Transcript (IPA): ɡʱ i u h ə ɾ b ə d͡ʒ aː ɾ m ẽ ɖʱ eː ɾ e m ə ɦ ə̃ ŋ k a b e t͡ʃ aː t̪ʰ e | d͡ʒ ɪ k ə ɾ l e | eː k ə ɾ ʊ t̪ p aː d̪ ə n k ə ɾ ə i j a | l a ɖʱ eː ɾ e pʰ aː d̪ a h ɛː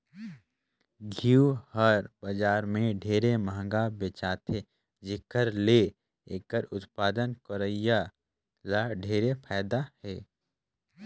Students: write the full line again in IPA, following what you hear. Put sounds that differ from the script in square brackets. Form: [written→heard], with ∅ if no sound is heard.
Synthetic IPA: ɡʱ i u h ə ɾ b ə d͡ʒ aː ɾ m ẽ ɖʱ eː ɾ e m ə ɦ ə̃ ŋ [k→ɡ] a b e t͡ʃ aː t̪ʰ e | d͡ʒ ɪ k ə ɾ l e | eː k ə ɾ ʊ t̪ p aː d̪ ə n k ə ɾ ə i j a | l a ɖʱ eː ɾ e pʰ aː d̪ a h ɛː